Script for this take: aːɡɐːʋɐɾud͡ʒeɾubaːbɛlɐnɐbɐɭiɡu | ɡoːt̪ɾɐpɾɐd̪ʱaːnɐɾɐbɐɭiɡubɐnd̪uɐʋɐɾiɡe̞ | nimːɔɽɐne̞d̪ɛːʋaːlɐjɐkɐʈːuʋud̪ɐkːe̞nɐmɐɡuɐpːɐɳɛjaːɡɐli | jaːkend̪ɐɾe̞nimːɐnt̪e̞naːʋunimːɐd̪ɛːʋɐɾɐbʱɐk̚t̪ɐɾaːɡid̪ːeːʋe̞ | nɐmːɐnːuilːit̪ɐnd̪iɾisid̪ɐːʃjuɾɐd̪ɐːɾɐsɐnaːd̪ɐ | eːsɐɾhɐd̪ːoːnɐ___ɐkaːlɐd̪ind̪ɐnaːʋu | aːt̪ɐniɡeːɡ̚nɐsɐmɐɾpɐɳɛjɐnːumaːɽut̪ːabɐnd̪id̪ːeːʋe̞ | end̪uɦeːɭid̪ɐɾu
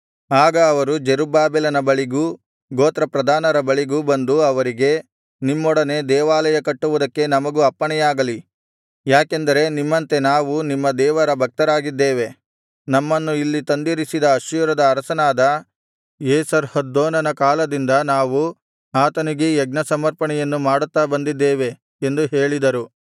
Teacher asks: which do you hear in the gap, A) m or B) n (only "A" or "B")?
B